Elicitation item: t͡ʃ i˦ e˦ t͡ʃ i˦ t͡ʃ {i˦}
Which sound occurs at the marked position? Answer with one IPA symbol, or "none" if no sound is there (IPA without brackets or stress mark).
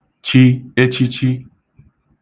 i˦